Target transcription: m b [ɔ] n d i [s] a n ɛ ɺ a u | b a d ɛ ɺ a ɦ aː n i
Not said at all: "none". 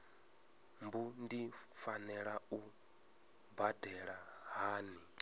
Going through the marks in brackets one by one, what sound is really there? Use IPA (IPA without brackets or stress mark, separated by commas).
u, f